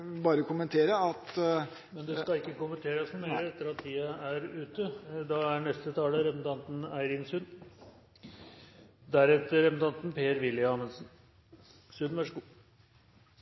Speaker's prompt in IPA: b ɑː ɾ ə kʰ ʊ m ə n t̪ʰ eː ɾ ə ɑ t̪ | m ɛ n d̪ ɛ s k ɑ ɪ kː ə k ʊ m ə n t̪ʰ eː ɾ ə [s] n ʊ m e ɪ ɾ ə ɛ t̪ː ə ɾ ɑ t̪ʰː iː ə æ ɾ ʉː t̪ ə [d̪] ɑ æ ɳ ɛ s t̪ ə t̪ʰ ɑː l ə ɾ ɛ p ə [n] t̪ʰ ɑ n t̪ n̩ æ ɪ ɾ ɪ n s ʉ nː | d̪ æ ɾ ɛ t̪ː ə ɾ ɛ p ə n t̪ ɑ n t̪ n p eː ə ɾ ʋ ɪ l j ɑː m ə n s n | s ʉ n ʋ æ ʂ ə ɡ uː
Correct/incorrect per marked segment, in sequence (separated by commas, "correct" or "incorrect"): correct, correct, correct